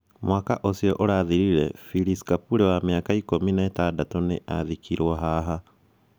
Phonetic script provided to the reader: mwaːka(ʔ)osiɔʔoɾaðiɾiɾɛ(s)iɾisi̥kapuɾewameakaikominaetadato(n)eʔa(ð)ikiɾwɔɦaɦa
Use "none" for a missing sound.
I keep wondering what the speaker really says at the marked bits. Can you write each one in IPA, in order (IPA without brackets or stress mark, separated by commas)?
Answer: ʔ, f, n, ð